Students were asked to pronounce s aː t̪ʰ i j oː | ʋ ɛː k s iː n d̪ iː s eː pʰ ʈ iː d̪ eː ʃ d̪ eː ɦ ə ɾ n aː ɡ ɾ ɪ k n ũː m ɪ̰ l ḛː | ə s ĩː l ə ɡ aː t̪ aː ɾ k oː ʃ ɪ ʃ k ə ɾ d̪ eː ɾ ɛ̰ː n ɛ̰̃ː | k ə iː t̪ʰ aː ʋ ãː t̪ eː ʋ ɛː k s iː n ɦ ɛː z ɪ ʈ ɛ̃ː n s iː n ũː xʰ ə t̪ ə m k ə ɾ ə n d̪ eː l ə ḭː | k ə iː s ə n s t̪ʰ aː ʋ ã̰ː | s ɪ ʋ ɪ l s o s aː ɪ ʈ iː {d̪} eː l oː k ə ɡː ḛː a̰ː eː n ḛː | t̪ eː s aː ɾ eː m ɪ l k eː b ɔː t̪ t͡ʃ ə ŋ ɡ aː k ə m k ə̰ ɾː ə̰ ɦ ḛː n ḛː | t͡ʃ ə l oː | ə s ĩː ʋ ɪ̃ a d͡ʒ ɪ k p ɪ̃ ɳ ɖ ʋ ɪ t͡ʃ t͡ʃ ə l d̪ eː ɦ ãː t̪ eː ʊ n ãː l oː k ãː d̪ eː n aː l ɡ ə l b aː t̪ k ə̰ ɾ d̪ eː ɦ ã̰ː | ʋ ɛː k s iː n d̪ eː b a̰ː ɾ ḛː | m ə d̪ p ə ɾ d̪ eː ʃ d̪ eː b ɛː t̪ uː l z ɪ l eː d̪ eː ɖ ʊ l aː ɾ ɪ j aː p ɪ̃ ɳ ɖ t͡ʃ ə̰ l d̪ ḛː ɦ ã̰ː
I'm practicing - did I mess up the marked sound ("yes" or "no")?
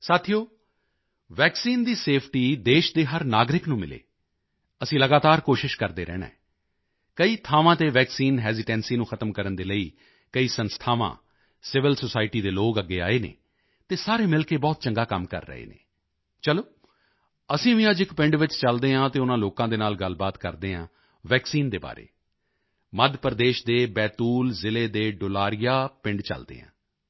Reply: no